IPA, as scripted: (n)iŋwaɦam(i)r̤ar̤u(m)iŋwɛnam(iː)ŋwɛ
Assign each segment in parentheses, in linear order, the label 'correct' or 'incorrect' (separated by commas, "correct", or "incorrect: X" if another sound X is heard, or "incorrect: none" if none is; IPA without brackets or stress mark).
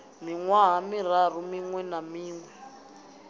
incorrect: m, correct, correct, correct